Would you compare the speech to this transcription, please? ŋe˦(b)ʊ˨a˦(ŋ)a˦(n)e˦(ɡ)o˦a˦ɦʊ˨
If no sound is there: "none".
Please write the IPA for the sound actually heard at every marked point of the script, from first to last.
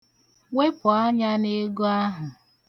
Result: p, ɲ, n, ɡ

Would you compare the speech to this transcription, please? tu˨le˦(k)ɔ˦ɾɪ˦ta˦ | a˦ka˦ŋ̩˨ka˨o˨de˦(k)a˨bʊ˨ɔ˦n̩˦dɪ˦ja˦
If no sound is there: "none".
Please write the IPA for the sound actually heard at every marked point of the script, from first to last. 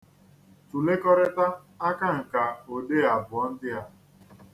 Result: k, none

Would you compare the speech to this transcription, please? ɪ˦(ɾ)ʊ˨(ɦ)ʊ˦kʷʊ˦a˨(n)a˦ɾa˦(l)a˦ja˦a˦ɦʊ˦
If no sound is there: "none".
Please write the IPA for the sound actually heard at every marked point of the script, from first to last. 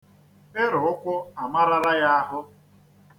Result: ɾ, none, m, ɾ

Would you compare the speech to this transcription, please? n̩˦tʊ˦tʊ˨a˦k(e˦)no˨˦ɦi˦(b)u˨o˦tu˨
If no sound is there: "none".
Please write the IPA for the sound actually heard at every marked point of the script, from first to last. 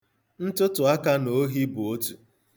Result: a˦, b

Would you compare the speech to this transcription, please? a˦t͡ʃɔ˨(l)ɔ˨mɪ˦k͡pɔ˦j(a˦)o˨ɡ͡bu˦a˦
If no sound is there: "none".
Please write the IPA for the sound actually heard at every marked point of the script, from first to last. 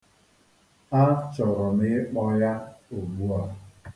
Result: ɾ, a˦

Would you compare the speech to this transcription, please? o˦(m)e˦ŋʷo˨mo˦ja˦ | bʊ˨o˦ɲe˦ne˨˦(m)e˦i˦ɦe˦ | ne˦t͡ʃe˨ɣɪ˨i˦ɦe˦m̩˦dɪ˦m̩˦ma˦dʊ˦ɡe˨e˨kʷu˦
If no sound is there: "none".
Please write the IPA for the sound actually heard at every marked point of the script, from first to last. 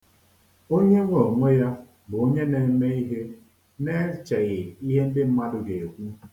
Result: ɲ, m

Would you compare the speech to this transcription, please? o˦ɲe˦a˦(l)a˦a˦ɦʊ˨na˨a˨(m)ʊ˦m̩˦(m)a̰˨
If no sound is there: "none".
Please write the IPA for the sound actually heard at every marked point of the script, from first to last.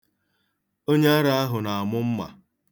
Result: ɾ, m, m

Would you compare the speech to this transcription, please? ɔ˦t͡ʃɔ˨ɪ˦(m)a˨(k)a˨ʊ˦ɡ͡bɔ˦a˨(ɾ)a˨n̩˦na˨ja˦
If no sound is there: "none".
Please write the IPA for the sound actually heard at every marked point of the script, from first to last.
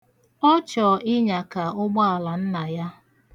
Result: ɲ, k, l

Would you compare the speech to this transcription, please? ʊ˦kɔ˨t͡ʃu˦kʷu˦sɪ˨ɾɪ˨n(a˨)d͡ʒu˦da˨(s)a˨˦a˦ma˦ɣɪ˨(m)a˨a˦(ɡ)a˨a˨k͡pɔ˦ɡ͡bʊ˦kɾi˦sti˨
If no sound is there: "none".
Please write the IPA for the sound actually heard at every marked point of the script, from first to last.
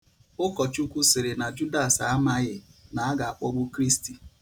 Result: a˨, s, n, ɡ

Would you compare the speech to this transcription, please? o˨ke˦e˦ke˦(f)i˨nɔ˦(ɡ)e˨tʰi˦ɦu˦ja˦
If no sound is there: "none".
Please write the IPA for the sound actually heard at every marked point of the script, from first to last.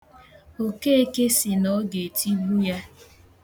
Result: s, ɡ

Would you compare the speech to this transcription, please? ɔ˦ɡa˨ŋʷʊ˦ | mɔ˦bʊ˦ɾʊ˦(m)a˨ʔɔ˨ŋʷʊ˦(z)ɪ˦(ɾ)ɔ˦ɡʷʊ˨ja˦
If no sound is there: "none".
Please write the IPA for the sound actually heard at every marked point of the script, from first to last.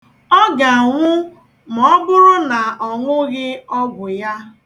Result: n, ɣ, none

